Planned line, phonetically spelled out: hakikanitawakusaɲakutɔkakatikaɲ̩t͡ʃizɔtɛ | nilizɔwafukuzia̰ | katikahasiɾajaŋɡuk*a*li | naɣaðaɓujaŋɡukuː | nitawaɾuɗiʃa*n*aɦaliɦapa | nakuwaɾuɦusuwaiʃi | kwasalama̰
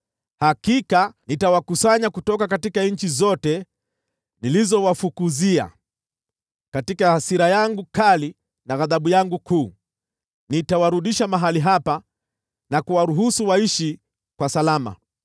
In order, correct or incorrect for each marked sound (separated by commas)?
correct, incorrect